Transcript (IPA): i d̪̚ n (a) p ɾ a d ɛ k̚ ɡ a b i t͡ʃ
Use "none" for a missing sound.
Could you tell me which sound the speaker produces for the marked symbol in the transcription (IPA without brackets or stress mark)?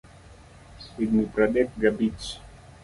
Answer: i